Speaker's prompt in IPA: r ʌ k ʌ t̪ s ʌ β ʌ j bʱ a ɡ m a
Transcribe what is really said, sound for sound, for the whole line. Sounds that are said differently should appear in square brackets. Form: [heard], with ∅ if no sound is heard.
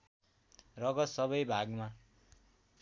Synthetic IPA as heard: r ʌ [ɡ] ʌ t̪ s ʌ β ʌ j bʱ a ɡ m a